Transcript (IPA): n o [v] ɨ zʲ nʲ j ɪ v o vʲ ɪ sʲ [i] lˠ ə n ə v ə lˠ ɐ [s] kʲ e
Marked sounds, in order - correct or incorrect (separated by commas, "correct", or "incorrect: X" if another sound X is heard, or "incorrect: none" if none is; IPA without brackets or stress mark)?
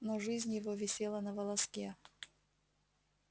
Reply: incorrect: ʐ, incorrect: e, correct